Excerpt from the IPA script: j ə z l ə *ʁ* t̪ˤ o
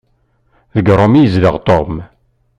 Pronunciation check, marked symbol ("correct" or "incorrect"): correct